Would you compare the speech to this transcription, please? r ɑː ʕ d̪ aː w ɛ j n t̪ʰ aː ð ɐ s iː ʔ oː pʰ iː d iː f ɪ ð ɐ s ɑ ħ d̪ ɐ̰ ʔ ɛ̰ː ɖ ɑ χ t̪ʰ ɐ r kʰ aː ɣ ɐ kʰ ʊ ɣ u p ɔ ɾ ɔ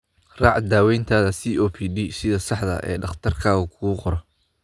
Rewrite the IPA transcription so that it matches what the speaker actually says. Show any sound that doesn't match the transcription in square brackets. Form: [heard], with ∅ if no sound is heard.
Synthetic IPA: r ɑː ʕ d̪ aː w ɛ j n t̪ʰ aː ð ɐ s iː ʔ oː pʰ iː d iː [s] ɪ ð ɐ s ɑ ħ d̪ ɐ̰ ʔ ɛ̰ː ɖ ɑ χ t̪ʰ ɐ r kʰ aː ɣ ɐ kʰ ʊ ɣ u [q] ɔ ɾ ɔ

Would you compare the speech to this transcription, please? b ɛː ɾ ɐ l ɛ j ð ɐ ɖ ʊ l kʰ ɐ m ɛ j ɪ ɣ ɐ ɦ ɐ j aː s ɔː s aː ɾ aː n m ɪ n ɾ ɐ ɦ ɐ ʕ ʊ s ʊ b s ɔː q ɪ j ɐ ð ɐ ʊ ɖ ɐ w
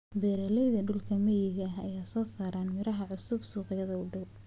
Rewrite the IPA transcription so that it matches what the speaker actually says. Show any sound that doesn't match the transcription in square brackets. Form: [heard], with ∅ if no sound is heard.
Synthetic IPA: b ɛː ɾ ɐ l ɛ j ð ɐ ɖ ʊ l kʰ ɐ m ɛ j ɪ ɣ ɐ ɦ ɐ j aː s ɔː s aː ɾ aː n m ɪ [∅] ɾ ɐ ɦ ɐ ʕ ʊ s ʊ b s [uː] q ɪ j ɐ ð ɐ ʊ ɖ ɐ w

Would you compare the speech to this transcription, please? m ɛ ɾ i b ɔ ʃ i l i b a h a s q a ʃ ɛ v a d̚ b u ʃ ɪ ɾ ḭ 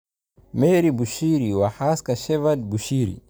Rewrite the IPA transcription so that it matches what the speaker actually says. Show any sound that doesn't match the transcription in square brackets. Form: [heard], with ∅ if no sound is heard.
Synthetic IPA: m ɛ ɾ i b [u] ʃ i [ɾ] i [w] a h a s [k] a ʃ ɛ v a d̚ b u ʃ [i] ɾ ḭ

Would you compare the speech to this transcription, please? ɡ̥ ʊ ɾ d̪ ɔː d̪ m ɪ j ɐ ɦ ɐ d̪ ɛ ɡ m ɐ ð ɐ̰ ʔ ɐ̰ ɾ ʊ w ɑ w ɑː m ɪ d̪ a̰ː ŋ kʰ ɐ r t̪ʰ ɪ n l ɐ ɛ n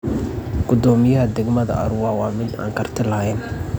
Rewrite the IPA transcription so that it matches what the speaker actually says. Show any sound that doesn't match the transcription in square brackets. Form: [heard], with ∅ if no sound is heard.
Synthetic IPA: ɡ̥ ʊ [∅] d̪ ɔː [∅] m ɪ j ɐ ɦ ɐ d̪ ɛ ɡ m ɐ ð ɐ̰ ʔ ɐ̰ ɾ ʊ w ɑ w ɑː m ɪ d̪ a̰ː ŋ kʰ ɐ r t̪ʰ ɪ [∅] l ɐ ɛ n

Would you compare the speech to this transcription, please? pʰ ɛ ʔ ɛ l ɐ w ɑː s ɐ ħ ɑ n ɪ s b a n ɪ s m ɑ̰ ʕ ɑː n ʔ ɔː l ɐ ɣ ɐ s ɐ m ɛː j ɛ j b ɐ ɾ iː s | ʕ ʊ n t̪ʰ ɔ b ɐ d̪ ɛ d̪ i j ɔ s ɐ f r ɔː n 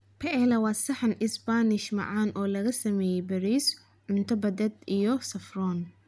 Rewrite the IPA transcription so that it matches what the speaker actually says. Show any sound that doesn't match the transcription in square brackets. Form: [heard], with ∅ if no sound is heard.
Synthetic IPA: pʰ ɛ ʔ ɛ l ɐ w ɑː s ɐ ħ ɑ n ɪ s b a n ɪ [ʃ] m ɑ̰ ʕ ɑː n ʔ ɔː l ɐ ɣ ɐ s ɐ m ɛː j ɛ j b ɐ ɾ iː s | ʕ ʊ n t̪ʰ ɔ b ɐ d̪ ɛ d̪ i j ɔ s ɐ f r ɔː n

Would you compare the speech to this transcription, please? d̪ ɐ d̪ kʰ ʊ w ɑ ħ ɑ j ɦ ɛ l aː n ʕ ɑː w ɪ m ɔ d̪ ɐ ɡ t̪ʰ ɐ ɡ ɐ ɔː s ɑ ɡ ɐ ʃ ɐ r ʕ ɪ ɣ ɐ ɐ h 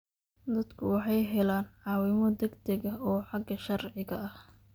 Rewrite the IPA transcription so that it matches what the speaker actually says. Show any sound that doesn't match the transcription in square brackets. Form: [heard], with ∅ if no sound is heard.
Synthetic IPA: d̪ ɐ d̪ kʰ ʊ w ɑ ħ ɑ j ɦ ɛ l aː n ʕ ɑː w ɪ m ɔ d̪ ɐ ɡ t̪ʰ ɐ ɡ ɐ ɔː [ħ] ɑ ɡ ɐ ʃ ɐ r ʕ ɪ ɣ ɐ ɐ h

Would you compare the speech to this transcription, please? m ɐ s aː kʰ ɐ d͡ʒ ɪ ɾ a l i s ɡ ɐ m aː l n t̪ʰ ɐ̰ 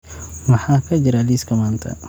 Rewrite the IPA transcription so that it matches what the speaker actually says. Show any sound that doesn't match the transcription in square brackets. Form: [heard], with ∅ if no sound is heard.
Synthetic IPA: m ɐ [ħ] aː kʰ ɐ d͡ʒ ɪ ɾ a l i s [k] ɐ m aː [∅] n t̪ʰ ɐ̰

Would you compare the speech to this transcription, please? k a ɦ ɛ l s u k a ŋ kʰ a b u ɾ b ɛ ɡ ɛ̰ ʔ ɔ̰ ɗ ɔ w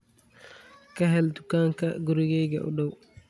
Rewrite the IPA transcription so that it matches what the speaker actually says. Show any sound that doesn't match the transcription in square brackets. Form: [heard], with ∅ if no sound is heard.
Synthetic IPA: k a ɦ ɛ l [t] u k a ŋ [k] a [ɡ] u ɾ [ɡ] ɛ ɡ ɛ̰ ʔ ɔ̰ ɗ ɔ w

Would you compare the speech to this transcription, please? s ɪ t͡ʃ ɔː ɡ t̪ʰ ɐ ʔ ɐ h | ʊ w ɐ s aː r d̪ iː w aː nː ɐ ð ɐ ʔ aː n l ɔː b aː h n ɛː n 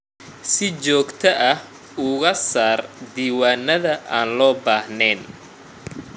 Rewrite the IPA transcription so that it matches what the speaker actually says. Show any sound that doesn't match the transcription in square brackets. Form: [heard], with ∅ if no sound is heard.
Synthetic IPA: s ɪ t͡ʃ ɔː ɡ t̪ʰ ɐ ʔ ɐ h | ʊ [ɣ] ɐ s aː r d̪ iː w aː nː ɐ ð ɐ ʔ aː n l ɔː b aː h n ɛː n

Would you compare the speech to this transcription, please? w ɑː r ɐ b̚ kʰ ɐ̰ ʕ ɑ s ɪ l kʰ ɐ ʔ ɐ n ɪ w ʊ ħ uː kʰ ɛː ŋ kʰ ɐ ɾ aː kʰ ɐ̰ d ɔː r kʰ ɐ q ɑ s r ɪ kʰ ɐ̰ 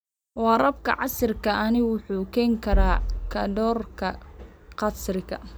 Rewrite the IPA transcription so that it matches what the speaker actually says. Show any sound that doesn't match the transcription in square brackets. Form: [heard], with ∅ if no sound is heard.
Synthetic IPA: w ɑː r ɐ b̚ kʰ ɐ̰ ʕ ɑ s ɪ [r] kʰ ɐ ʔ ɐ n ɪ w ʊ ħ uː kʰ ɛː ŋ kʰ ɐ ɾ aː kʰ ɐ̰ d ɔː r kʰ ɐ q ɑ s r ɪ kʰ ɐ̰

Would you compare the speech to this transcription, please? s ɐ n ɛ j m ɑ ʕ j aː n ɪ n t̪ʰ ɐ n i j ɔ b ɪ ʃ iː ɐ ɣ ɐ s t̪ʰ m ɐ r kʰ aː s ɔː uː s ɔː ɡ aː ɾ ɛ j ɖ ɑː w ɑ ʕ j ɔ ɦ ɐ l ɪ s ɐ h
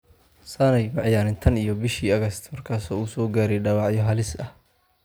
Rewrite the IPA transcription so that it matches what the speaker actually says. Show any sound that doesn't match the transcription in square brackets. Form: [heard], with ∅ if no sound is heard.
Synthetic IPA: s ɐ n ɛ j m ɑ ʕ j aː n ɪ n t̪ʰ ɐ n i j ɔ b ɪ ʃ iː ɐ ɣ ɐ s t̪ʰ m ɐ r kʰ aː s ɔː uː s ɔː ɡ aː ɾ ɛ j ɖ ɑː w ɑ ʕ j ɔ ɦ ɐ l ɪ s ɐ h

